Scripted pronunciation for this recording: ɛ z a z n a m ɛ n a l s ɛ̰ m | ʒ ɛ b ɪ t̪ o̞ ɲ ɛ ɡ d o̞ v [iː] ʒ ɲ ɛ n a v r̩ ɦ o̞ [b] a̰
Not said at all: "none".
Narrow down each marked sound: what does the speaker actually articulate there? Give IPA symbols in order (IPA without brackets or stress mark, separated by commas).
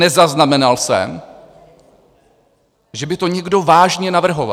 aː, v